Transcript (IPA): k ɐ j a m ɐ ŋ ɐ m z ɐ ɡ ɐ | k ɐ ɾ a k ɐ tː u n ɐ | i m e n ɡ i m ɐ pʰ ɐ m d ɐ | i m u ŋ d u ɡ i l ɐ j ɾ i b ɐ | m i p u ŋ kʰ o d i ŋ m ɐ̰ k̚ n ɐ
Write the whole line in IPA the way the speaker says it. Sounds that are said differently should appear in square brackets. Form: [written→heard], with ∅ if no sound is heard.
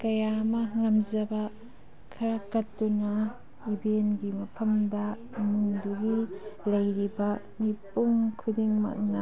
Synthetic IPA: k ɐ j a m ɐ ŋ ɐ m z ɐ [ɡ→b] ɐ | [k→kʰ] ɐ ɾ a k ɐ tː u n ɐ | i [m→b] e n ɡ i m ɐ pʰ ɐ m d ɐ | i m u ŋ d u ɡ i l ɐ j ɾ i b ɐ | m i p u ŋ kʰ [o→u] d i ŋ m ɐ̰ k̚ n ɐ